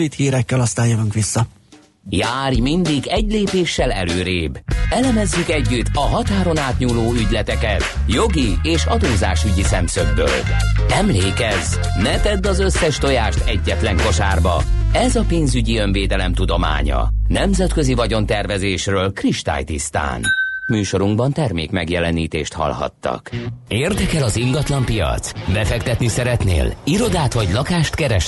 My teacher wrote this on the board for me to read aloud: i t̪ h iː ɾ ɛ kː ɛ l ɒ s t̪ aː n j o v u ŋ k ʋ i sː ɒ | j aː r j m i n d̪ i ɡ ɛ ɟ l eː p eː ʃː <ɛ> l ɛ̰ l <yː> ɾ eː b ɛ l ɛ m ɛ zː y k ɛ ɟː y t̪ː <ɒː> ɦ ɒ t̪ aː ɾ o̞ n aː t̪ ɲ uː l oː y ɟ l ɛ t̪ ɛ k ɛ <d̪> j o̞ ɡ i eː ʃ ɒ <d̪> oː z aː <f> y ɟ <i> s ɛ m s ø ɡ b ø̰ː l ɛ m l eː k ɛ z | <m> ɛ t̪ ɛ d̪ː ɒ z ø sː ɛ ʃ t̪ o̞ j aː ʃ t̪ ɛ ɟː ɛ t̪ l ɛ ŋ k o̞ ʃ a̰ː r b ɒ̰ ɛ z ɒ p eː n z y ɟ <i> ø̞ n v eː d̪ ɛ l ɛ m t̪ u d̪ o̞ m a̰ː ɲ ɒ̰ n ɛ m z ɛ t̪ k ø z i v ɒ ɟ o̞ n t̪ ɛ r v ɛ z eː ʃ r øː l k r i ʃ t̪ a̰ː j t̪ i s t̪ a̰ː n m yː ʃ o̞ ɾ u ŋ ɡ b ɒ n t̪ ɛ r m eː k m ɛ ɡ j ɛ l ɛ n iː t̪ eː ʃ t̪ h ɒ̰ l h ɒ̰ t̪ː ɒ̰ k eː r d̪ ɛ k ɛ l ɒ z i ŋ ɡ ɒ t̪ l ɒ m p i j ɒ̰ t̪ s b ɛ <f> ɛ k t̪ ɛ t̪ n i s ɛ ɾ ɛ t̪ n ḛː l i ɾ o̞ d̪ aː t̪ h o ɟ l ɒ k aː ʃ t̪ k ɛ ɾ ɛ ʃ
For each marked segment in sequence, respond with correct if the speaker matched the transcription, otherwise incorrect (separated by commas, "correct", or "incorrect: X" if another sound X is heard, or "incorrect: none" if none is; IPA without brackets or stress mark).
correct, incorrect: øː, incorrect: ɒ, incorrect: t̪, correct, incorrect: ʃ, correct, incorrect: n, correct, correct